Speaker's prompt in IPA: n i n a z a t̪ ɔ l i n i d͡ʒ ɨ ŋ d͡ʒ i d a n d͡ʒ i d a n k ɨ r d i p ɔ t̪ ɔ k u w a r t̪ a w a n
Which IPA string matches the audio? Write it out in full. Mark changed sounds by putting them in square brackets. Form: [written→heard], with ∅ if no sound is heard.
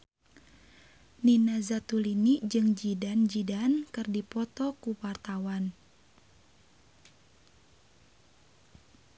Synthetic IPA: n i n a z a t̪ [ɔ→u] l i n i d͡ʒ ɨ ŋ d͡ʒ i d a n d͡ʒ i d a n k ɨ r d i p ɔ t̪ ɔ k u w a r t̪ a w a n